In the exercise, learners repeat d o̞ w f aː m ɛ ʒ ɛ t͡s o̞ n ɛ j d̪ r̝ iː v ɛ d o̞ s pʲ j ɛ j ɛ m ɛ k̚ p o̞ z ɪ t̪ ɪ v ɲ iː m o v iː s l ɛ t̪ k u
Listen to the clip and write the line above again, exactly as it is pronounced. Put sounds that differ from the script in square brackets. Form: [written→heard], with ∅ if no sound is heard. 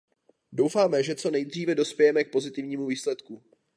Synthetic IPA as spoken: d o̞ w f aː m ɛ ʒ ɛ t͡s o̞ n ɛ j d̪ r̝ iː v ɛ d o̞ s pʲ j ɛ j ɛ m ɛ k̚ p o̞ z ɪ t̪ ɪ v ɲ iː m [o→u] v iː s l ɛ t̪ k u